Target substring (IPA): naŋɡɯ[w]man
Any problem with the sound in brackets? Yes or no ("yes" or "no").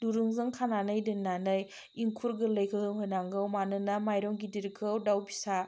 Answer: no